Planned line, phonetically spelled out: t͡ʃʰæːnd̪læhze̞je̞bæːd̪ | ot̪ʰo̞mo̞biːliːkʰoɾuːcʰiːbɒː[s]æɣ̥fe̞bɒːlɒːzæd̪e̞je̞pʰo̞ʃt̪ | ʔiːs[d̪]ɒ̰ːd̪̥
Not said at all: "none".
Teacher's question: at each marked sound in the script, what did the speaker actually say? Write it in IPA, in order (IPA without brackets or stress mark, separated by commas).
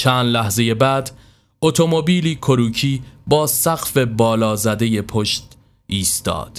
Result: s, t̪